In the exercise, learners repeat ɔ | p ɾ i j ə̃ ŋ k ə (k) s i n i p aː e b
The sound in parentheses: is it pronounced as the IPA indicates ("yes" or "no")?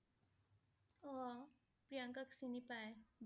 yes